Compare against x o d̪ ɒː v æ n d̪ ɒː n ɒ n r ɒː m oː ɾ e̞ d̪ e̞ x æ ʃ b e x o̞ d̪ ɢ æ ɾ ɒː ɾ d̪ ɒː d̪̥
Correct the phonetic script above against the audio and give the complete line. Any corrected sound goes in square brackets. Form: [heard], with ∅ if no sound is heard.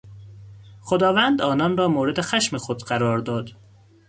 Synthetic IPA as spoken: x o d̪ ɒː v æ n d̪ ɒː n ɒ n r ɒː m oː ɾ e̞ d̪ e̞ x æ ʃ [m] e x o̞ d̪ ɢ æ ɾ ɒː ɾ d̪ ɒː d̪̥

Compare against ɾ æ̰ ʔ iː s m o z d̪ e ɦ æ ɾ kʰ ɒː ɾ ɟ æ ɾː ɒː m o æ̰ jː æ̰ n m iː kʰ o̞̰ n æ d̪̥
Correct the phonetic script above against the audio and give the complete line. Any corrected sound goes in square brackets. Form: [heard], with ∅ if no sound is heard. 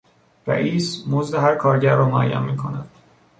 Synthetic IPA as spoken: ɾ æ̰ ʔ iː s m o z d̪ e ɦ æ ɾ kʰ ɒː ɾ ɟ æ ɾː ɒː m o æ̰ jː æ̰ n m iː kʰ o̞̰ n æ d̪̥

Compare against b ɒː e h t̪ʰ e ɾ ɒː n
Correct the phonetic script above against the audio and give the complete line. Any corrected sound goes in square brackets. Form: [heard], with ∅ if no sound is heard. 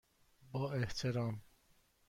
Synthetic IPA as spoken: b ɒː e h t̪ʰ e ɾ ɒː [m]

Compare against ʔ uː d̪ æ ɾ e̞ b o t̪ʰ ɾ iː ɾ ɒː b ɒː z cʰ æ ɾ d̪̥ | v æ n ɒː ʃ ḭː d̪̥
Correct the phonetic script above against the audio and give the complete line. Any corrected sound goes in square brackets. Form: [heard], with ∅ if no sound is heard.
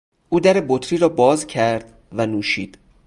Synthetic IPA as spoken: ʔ uː d̪ æ ɾ e̞ b o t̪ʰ ɾ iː ɾ ɒː b ɒː z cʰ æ ɾ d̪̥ | v æ n [uː] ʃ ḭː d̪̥

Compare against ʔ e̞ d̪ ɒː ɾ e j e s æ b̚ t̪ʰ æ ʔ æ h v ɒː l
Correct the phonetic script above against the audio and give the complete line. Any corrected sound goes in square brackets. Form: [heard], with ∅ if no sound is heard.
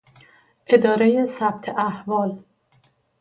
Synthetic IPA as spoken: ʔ e̞ d̪ ɒː ɾ e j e s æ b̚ t̪ʰ [e] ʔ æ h v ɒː l

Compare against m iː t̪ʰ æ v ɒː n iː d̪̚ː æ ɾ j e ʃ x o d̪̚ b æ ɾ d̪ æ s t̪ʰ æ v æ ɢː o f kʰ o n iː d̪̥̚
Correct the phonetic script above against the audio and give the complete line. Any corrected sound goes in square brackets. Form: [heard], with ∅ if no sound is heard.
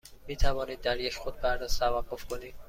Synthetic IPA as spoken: m iː t̪ʰ æ v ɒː n iː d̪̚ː æ ɾ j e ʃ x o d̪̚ b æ ɾ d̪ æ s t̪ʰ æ v æ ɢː o f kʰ o n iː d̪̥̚

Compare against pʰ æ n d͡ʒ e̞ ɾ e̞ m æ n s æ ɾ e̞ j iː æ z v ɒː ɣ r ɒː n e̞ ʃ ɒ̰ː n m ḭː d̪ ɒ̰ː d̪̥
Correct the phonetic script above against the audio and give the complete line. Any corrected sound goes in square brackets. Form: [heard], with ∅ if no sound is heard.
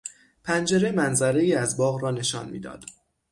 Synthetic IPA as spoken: pʰ æ n d͡ʒ e̞ ɾ e̞ m æ n [z] æ ɾ e̞ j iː æ z [b] ɒː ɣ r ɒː n e̞ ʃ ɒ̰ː n m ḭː d̪ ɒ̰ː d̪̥

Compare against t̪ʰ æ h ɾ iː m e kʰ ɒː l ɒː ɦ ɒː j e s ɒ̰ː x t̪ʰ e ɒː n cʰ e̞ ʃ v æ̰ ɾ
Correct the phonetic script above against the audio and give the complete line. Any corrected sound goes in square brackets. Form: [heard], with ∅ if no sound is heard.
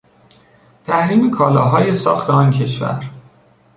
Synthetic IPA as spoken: t̪ʰ æ h ɾ iː m e kʰ ɒː l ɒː ɦ ɒː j e s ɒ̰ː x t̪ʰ e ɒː n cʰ e̞ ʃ v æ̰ ɾ

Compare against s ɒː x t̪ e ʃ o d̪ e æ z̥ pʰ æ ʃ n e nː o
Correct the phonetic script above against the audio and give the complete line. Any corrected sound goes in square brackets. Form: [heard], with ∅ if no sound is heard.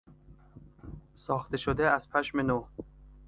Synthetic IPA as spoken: s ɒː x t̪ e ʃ o d̪ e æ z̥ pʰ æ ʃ [m] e [n] o

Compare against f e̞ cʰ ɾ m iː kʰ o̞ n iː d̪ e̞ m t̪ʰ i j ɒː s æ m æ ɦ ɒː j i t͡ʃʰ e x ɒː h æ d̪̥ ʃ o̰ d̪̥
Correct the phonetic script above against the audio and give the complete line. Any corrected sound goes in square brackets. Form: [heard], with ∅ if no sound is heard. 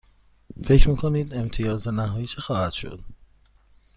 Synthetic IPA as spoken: f e̞ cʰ ɾ m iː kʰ o̞ n iː d̪ e̞ m t̪ʰ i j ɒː [z] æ [n] æ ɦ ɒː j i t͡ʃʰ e x ɒː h æ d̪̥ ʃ o̰ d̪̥

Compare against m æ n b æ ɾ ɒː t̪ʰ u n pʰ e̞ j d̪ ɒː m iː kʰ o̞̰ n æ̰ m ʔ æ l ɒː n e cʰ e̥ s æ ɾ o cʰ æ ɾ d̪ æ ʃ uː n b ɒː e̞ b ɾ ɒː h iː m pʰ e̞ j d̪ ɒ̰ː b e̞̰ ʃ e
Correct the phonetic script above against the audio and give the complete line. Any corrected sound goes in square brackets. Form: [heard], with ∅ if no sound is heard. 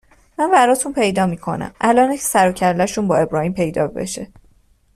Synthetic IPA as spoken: m æ n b æ ɾ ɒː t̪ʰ u n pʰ e̞ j d̪ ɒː m iː kʰ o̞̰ n æ̰ m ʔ æ l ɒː n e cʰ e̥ s æ ɾ o cʰ æ ɾ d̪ æ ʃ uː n b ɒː e̞ b ɾ ɒː h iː m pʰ e̞ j d̪ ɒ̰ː b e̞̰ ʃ e

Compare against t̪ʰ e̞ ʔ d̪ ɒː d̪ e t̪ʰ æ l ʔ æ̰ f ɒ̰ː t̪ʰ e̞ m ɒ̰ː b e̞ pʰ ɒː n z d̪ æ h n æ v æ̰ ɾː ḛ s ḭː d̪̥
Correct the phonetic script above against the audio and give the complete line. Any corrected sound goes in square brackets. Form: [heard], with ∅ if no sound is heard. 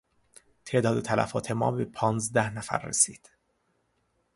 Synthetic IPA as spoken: t̪ʰ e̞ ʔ d̪ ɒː d̪ e t̪ʰ æ l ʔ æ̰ f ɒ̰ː t̪ʰ e̞ m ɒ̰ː b e̞ pʰ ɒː n z d̪ æ h n æ [f] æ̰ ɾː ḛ s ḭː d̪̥

